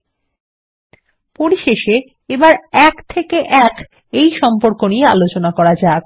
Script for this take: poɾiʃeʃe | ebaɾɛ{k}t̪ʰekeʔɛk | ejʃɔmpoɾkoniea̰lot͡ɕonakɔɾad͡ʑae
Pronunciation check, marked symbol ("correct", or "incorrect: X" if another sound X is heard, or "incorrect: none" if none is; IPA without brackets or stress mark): correct